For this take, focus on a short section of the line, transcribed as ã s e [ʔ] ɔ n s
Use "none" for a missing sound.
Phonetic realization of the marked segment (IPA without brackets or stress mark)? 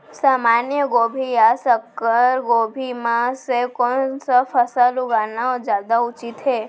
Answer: k